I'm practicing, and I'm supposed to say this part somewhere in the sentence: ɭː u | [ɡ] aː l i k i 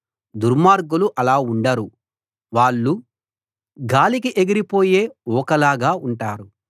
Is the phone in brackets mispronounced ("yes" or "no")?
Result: no